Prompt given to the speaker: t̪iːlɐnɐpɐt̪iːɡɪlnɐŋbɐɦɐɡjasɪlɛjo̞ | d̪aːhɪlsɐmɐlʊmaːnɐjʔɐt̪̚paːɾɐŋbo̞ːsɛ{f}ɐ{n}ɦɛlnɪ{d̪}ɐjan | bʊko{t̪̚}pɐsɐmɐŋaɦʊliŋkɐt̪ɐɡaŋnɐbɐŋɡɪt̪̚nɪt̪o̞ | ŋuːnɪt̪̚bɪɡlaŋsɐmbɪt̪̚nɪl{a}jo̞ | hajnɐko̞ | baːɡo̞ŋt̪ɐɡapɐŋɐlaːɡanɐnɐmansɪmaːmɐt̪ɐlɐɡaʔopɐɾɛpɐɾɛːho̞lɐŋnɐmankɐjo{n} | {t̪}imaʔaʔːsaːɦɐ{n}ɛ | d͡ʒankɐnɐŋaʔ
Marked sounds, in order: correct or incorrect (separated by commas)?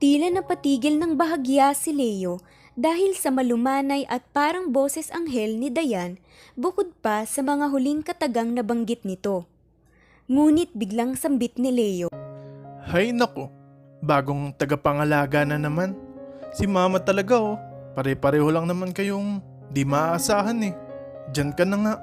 incorrect, incorrect, correct, incorrect, incorrect, incorrect, incorrect, correct